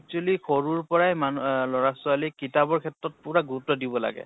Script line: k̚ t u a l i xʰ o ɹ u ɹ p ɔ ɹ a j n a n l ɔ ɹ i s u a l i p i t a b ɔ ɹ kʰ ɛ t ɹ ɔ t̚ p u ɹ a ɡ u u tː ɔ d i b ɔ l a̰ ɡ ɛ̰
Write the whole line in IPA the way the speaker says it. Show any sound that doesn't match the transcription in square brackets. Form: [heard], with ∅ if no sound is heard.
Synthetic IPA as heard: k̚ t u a l i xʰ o ɹ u ɹ p ɔ ɹ a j [m] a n l ɔ ɹ [a] s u a l i [k] i t a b ɔ ɹ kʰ ɛ t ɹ ɔ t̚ p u ɹ a ɡ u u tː ɔ d i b ɔ l a̰ ɡ ɛ̰